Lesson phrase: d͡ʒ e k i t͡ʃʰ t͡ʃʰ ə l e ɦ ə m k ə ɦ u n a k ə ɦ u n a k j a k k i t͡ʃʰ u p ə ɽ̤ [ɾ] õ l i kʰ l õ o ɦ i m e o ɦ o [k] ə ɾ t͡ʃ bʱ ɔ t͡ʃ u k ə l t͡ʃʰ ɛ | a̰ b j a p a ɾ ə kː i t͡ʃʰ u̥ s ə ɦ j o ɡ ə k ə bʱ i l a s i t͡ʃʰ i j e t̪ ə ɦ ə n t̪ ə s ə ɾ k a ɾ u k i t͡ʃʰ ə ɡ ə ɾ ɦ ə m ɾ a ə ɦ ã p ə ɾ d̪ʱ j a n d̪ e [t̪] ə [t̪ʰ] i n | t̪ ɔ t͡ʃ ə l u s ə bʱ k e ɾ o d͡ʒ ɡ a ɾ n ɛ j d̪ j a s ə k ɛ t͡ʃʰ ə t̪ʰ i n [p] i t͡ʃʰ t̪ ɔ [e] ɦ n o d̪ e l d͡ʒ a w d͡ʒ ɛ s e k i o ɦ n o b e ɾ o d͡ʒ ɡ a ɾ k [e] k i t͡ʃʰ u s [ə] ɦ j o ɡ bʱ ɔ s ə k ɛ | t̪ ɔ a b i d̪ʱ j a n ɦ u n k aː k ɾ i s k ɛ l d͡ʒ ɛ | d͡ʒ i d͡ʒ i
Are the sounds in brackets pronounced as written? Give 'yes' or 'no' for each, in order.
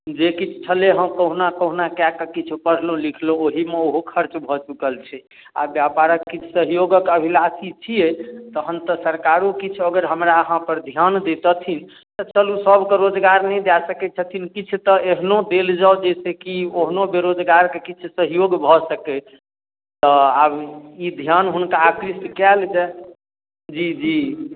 no, no, yes, yes, no, yes, yes, yes

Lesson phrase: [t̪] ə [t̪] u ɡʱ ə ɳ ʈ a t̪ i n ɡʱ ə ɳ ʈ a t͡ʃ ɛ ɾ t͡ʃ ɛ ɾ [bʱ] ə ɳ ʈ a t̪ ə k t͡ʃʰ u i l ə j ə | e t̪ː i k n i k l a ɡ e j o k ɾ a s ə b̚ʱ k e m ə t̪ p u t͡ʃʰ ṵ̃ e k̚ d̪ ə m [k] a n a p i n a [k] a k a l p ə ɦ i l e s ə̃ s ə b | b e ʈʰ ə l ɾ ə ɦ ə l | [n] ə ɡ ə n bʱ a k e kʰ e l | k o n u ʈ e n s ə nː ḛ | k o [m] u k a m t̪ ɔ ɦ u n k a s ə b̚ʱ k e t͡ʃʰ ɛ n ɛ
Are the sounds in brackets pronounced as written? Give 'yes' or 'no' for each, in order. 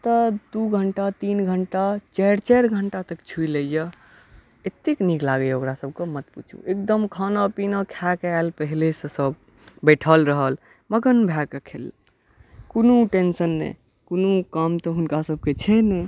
yes, no, no, no, no, no, no

